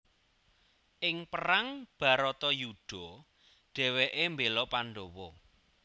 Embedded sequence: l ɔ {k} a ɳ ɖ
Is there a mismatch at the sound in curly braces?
yes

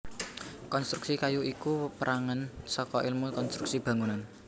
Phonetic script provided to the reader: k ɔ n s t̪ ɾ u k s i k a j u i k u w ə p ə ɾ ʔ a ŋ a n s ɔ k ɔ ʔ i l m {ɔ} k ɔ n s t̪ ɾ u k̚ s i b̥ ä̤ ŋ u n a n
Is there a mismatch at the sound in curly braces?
yes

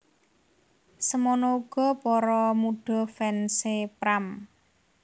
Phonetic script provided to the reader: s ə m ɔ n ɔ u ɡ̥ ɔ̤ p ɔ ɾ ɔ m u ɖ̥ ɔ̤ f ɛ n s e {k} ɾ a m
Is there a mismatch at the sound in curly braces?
yes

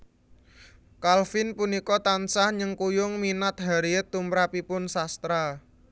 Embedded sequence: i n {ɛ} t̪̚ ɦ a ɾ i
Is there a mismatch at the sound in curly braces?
yes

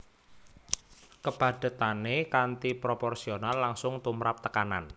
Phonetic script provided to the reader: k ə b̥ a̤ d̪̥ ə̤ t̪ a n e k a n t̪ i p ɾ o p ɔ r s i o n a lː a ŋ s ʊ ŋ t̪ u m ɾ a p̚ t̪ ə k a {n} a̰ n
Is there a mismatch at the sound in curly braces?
no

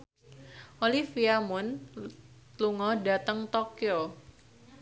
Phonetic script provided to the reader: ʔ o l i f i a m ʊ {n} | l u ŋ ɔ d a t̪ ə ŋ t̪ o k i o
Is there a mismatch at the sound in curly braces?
no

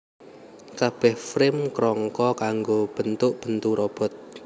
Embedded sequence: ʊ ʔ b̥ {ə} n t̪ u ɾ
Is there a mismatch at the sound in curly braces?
no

